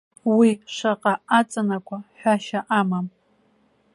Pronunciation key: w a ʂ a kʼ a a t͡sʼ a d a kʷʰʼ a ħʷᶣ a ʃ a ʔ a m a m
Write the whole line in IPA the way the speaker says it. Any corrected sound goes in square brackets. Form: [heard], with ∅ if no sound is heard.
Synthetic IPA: w [i] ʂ a [qʼ] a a t͡sʼ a [n] a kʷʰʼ a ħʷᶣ a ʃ a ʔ a m a m